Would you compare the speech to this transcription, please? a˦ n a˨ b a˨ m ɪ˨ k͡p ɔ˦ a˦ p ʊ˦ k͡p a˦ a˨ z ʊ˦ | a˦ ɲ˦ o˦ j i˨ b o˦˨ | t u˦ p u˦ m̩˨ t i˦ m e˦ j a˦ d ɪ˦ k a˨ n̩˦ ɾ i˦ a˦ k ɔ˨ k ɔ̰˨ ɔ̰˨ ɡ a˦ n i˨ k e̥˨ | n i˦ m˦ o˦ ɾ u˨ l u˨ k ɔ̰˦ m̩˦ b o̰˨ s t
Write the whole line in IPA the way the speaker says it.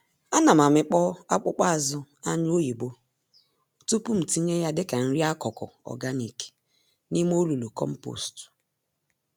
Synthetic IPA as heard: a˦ n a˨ m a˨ m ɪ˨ k͡p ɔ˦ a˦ k͡p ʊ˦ k͡p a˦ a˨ z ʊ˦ | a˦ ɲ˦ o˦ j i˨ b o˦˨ | t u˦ p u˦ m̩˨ t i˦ ɲ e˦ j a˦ d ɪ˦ k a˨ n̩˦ ɾ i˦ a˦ k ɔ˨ k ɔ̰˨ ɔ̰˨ ɡ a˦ n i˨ k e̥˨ | n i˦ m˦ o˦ l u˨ l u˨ k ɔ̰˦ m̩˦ p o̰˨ s t